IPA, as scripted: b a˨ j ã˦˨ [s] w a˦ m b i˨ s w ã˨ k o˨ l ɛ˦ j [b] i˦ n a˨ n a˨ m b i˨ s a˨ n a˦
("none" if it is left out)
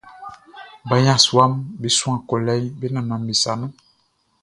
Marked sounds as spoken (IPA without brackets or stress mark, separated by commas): s, b